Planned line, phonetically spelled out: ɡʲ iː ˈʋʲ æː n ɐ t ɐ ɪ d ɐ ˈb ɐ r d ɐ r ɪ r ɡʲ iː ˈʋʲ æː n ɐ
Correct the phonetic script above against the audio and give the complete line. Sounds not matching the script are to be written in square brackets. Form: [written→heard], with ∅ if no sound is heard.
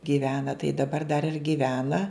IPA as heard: ɡʲ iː ˈʋʲ æː n ɐ t ɐ ɪ d ɐ ˈb ɐ r d ɐ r ɪ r ɡʲ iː ˈʋʲ æː n ɐ